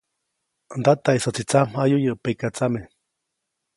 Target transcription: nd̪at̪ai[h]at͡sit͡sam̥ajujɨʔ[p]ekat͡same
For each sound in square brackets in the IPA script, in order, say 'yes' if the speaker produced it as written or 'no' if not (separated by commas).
no, yes